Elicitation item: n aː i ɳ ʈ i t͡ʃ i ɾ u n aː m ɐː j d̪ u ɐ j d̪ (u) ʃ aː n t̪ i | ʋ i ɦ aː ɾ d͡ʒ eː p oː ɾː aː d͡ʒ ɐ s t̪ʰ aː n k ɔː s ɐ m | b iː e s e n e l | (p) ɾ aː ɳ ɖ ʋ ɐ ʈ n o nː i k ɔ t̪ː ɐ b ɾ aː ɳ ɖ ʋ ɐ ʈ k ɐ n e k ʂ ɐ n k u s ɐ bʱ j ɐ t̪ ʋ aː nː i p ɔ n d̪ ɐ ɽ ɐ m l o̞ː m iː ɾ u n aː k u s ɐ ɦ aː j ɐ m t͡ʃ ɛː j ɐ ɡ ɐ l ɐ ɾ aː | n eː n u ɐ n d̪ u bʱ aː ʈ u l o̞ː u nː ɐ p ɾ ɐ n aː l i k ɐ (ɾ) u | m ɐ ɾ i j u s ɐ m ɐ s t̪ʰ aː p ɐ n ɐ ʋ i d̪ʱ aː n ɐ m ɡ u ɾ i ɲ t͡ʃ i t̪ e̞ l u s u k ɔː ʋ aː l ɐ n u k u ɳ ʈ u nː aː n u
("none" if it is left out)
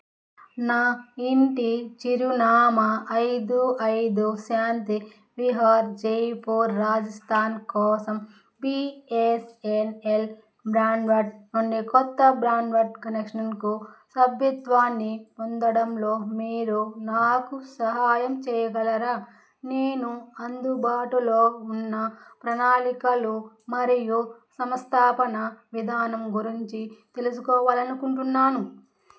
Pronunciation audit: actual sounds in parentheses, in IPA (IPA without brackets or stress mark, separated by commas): u, b, l